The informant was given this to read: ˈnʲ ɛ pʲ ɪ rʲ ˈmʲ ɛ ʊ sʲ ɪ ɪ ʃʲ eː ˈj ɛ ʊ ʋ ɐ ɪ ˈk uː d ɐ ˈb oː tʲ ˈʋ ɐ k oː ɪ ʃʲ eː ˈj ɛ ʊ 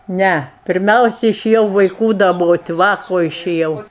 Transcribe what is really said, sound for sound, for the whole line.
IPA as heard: ˈnʲ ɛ pʲ ɪ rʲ ˈmʲ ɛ ʊ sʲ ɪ ɪ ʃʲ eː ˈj ɛ ʊ ʋ ɐ ɪ ˈk uː d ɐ ˈb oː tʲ ˈʋ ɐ k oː ɪ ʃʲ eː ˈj ɛ ʊ